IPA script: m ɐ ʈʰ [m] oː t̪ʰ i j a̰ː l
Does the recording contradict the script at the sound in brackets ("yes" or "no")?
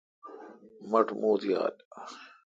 no